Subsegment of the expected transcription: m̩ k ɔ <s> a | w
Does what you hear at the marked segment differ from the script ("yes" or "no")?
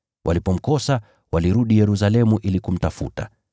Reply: no